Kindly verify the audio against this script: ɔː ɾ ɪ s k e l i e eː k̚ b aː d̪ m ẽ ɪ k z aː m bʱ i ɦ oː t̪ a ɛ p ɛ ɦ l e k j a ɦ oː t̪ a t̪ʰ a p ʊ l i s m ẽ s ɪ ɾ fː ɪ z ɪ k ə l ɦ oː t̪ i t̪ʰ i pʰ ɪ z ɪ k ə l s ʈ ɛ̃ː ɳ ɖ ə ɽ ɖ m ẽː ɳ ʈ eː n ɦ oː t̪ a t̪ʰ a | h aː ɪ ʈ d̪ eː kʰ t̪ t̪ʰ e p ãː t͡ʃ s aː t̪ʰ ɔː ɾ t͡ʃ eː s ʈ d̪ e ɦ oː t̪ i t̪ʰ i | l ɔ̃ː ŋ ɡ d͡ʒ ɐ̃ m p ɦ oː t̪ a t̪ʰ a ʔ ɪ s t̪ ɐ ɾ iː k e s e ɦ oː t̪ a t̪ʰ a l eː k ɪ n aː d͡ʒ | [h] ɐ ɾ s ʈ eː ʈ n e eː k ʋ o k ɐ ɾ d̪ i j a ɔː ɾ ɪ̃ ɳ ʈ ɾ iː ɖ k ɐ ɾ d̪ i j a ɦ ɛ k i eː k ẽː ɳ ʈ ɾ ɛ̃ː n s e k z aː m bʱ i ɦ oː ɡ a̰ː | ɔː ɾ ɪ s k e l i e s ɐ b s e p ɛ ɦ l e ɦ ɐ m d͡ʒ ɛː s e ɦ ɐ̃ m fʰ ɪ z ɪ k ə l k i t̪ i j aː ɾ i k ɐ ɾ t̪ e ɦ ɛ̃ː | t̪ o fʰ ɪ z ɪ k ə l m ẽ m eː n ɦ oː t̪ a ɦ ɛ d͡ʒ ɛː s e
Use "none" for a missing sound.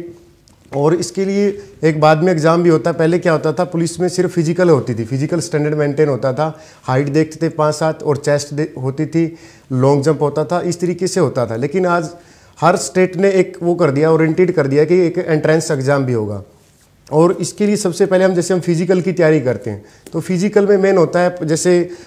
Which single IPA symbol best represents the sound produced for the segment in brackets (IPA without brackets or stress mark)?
h